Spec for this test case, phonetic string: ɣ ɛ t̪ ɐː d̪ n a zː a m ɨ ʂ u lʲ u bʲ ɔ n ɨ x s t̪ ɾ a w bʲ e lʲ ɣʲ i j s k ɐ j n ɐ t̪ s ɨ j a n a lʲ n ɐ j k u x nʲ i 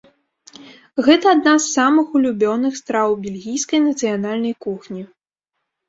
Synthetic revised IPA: ɣ ɛ t̪ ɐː d̪ n a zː a m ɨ x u lʲ u bʲ ɔ n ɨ x s t̪ ɾ a w bʲ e lʲ ɣʲ i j s k ɐ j n ɐ t̪ s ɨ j a n a lʲ n ɐ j k u x nʲ i